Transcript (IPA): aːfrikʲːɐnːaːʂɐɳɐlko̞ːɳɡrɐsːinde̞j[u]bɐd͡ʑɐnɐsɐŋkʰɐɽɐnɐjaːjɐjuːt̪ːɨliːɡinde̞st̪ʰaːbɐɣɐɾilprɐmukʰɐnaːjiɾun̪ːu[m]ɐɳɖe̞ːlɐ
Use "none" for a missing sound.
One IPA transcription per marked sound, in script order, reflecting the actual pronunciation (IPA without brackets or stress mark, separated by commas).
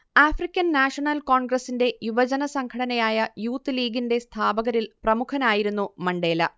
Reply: u, m